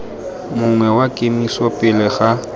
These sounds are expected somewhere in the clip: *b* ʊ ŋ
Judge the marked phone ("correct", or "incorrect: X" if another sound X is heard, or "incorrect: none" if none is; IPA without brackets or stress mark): incorrect: m